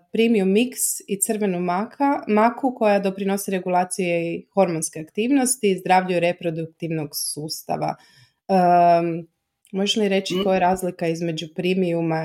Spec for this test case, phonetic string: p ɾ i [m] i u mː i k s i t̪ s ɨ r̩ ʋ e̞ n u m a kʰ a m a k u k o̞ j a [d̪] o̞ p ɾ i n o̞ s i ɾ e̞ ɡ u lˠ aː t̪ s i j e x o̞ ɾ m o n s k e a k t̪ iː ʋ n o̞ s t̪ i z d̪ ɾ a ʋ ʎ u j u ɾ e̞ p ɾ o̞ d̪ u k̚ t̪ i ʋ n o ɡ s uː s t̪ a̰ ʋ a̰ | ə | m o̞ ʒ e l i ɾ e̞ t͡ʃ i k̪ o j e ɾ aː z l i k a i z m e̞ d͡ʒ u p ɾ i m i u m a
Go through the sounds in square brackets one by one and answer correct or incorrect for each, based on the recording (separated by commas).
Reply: correct, correct